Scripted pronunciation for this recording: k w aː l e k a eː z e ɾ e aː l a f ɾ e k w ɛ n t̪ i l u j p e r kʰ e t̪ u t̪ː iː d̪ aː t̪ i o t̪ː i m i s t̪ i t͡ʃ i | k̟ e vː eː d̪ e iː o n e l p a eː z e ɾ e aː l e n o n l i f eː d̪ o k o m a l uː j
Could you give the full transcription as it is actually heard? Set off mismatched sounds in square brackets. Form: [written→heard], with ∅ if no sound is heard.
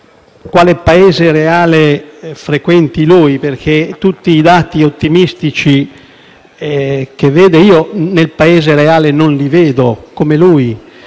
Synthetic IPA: k w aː l e [k→p] a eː z e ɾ e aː l [a→e] f ɾ e k w ɛ n t̪ i l u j p e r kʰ e t̪ u t̪ː iː d̪ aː t̪ i o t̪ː i m i s t̪ i t͡ʃ i | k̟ e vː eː d̪ e iː o n e l p a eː z e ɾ e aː l e n o n l i [f→v] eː d̪ o k o m [a→e] l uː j

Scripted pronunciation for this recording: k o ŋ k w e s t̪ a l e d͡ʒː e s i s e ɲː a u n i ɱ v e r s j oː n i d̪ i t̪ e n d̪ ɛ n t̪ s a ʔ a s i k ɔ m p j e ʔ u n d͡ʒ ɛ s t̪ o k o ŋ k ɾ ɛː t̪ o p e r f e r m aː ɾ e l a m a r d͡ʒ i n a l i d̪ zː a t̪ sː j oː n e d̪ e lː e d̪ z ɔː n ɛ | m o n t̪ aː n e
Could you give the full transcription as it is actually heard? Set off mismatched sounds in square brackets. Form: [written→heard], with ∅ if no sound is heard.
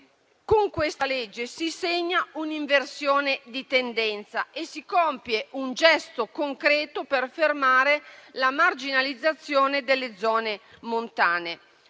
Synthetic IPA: k o ŋ k w e s t̪ a l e d͡ʒː e s i s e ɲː a u n i ɱ v e r s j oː n [i→e] d̪ i t̪ e n d̪ ɛ n t̪ s a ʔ [a→e] s i k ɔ m p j e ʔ u n d͡ʒ ɛ s t̪ o k o ŋ k ɾ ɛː t̪ o p e r f e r m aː ɾ e l a m a r d͡ʒ i n a l i d̪ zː a t̪ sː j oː n e d̪ e lː e d̪ z ɔː n [ɛ→e] | m o n t̪ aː n e

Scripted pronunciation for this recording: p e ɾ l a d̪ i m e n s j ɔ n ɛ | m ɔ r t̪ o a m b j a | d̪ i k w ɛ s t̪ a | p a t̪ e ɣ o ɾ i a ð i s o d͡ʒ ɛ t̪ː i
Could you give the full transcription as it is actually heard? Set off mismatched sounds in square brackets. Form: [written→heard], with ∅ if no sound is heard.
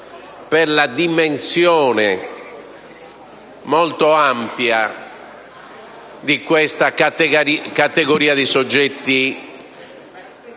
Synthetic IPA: p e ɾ l a d̪ i m e n s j [ɔ→ɔː] n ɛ | m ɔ [r→l] t̪ o a m [b→p] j a | d̪ i k w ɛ s t̪ a | [p→k] a t̪ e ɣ o ɾ [i→iː] a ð i s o [d͡ʒ→d͡ʒː] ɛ t̪ː i

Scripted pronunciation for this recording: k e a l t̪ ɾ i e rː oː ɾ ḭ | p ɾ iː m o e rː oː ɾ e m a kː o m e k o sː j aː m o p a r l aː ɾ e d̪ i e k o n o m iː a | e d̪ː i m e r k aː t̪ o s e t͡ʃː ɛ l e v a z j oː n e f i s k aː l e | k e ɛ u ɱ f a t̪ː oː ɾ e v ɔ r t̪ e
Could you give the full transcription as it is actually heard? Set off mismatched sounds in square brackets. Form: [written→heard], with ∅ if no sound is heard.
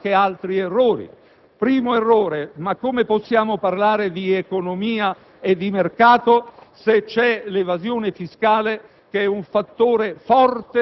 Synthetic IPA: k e a l t̪ ɾ i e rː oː ɾ ḭ | p ɾ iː m o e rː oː ɾ e m a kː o m e [k→p] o sː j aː m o p a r l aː ɾ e d̪ i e k o n o m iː a | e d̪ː i m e r k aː t̪ o s e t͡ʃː ɛ l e v a z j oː n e f i s k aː l e | k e ɛ u ɱ f a t̪ː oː ɾ e [v→f] ɔ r t̪ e

